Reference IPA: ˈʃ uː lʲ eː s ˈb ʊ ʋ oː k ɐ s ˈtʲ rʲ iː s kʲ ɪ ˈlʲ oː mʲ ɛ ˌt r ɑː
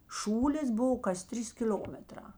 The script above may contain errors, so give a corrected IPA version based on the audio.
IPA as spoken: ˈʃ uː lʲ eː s ˈb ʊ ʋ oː k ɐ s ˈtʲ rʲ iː s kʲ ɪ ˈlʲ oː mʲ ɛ ˌt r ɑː